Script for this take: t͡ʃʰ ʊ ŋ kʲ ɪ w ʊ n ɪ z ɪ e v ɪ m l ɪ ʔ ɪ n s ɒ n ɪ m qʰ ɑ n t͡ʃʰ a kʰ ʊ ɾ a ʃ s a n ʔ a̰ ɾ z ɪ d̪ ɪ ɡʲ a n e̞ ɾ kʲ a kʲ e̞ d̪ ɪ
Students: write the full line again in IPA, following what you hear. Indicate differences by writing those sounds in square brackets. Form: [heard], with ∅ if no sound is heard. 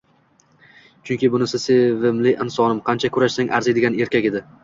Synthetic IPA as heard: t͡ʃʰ ʊ ŋ kʲ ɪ [b] ʊ n ɪ [s] ɪ e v ɪ m l ɪ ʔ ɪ n s ɒ n ɪ m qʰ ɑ n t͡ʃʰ a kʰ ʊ ɾ a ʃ s a [ŋ] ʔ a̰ ɾ z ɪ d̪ ɪ ɡʲ a n e̞ ɾ kʲ a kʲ e̞ d̪ ɪ